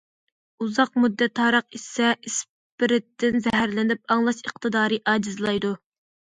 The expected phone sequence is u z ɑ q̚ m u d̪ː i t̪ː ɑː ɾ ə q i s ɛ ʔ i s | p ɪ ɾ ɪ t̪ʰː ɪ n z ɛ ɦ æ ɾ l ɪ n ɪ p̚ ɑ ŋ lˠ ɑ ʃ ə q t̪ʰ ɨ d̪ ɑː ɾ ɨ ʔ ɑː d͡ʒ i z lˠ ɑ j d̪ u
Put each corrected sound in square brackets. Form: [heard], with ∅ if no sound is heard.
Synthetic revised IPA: u z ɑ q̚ m u d̪ː [ɛ] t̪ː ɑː ɾ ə q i s ɛ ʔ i s | p ɪ ɾ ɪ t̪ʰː ɪ n z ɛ ɦ æ ɾ l ɪ n ɪ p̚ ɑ ŋ lˠ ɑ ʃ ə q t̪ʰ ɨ d̪ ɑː ɾ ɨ ʔ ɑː d͡ʒ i z lˠ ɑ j d̪ u